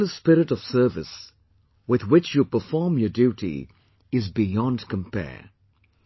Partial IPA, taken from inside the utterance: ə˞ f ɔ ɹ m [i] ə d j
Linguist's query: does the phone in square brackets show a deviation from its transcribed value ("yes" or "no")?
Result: yes